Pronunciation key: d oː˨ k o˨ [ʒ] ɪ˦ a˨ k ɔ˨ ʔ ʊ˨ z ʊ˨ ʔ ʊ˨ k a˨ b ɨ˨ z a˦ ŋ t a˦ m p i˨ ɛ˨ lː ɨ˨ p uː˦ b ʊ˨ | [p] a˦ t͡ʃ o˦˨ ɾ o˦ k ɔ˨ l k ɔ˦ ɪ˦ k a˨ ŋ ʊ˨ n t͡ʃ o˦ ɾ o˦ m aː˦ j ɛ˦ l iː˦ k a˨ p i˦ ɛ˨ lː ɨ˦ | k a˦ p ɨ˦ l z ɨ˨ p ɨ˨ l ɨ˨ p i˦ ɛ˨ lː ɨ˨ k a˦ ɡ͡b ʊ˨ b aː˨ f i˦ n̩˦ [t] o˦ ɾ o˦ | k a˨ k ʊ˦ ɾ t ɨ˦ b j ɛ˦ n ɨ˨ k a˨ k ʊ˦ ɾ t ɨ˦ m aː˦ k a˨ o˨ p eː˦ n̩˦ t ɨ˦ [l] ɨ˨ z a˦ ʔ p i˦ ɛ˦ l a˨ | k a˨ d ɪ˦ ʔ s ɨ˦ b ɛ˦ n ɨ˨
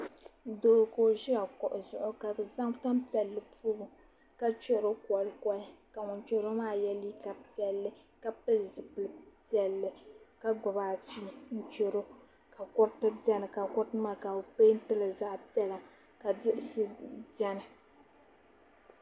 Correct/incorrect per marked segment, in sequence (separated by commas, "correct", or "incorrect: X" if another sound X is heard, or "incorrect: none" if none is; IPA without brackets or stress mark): correct, incorrect: k, incorrect: t͡ʃ, correct